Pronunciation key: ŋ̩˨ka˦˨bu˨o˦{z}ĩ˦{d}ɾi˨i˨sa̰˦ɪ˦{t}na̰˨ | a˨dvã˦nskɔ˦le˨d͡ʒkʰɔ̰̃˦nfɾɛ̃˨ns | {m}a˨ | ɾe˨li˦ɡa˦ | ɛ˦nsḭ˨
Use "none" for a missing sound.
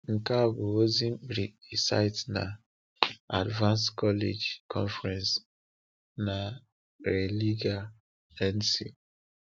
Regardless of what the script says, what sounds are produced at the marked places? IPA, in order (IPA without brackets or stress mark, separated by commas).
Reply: z, b, t, n